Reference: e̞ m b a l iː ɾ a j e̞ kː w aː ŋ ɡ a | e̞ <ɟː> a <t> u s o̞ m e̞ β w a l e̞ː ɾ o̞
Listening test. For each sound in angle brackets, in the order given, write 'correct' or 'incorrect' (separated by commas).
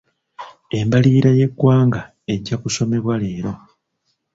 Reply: correct, incorrect